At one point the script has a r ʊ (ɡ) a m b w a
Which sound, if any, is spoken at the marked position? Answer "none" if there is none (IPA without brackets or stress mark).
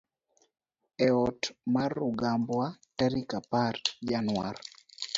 ɡ